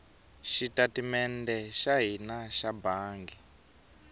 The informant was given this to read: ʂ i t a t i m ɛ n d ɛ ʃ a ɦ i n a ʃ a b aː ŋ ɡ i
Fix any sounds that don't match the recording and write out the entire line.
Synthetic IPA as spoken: ʃ i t a t i m ɛ n d ɛ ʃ a ɦ i n a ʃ a b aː ŋ ɡ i